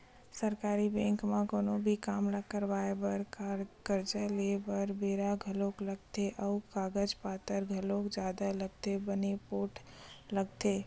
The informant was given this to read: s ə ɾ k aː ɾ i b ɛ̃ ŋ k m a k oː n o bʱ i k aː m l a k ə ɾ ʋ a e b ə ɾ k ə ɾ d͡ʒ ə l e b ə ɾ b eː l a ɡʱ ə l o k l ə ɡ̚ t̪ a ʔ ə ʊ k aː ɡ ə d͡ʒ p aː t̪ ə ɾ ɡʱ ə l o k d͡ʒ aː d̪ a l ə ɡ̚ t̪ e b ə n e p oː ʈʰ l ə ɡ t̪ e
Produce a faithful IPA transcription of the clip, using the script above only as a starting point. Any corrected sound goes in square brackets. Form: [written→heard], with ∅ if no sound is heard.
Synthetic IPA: s ə ɾ k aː ɾ i b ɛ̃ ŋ k m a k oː n o bʱ i k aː m l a k ə ɾ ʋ a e b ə ɾ k ə ɾ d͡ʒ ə l e b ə ɾ b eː [l→ɾ] a ɡʱ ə l o k l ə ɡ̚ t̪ [a→e] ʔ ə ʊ k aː ɡ ə d͡ʒ p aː t̪ ə ɾ ɡʱ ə l o k d͡ʒ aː d̪ a l ə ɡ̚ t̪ e b ə n e p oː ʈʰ l ə ɡ t̪ e